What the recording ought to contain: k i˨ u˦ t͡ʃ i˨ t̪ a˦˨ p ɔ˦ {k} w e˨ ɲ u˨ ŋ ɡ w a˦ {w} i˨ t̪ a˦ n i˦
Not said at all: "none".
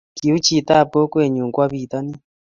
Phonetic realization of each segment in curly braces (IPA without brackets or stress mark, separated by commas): k, β